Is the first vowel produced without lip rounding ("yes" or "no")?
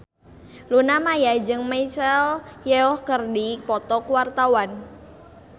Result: no